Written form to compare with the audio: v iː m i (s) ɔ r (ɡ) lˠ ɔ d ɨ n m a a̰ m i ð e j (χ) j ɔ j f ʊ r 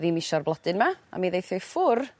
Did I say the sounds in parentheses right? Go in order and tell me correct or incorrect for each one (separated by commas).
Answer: incorrect, incorrect, incorrect